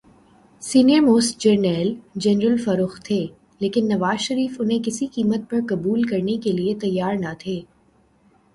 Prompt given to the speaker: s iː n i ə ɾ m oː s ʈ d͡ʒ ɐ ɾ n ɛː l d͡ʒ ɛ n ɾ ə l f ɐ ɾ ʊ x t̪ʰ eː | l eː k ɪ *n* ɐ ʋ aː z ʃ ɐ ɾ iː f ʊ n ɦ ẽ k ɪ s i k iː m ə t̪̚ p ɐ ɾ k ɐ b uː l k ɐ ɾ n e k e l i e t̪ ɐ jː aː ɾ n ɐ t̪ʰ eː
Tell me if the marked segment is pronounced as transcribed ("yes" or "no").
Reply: no